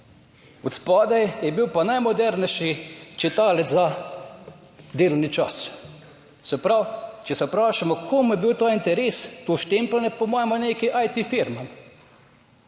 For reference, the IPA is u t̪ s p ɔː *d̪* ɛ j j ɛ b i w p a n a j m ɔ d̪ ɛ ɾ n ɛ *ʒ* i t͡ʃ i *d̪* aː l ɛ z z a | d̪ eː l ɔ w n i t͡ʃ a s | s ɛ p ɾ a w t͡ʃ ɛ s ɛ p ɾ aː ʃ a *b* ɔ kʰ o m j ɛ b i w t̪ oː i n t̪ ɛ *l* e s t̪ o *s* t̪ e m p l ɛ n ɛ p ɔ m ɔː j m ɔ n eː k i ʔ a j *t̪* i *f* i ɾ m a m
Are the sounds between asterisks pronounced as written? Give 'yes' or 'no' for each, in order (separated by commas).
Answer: yes, no, no, no, no, no, yes, yes